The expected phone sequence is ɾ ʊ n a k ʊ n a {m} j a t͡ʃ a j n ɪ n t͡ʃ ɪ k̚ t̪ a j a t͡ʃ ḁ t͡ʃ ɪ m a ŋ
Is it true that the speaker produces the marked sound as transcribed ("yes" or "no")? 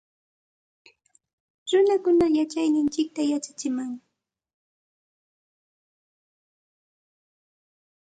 no